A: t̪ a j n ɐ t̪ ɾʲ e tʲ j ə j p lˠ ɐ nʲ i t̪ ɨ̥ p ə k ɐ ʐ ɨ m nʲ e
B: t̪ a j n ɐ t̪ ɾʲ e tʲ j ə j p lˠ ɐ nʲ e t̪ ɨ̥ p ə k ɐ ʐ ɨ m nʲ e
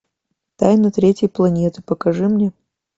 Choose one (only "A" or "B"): B